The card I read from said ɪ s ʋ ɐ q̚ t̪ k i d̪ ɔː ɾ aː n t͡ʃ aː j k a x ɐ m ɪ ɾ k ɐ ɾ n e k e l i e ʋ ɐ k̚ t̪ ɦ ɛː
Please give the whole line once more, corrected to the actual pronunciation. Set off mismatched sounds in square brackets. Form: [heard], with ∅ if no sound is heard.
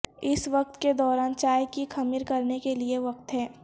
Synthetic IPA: ɪ s ʋ ɐ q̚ t̪ k [e] d̪ ɔː ɾ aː n t͡ʃ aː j k [i] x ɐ m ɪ ɾ k ɐ ɾ n e k e l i e ʋ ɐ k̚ t̪ ɦ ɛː